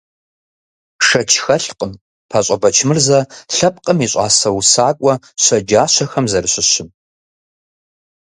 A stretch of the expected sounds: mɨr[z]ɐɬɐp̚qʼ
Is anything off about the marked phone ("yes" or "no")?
no